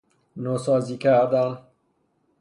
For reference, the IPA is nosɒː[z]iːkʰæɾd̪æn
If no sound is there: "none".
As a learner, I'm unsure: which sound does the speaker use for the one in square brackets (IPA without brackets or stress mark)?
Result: z